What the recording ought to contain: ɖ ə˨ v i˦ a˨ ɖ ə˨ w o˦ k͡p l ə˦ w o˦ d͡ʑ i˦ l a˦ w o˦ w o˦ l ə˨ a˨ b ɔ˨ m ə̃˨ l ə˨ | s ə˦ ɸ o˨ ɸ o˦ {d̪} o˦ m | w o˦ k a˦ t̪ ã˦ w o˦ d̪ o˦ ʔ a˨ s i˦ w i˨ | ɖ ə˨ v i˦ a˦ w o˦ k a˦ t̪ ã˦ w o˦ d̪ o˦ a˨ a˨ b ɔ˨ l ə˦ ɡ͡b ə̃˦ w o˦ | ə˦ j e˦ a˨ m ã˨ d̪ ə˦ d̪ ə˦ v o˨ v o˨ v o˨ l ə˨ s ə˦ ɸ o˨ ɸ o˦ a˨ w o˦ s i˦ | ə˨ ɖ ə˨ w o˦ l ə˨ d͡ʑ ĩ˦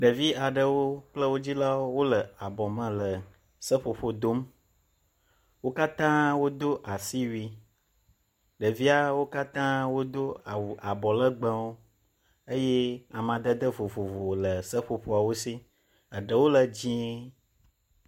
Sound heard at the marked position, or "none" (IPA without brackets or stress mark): d̪